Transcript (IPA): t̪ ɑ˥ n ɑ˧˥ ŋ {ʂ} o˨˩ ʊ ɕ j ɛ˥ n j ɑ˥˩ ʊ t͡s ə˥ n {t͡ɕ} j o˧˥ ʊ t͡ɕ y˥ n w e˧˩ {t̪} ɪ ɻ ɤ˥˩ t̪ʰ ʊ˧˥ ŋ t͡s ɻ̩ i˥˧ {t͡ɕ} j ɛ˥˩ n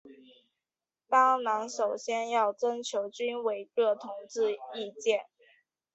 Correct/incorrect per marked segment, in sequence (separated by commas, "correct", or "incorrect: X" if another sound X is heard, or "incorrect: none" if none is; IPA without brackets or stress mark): correct, incorrect: t͡ɕʰ, incorrect: none, correct